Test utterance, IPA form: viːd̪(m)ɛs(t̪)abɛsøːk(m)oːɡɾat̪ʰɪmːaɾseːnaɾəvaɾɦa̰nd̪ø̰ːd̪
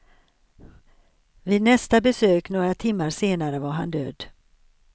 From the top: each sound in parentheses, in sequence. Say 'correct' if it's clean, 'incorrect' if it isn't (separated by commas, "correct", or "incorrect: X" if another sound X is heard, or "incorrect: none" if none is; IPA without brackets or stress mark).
incorrect: n, correct, incorrect: n